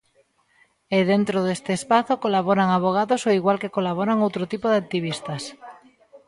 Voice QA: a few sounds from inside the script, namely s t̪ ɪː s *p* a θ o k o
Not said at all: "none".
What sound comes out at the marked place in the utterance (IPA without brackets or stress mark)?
p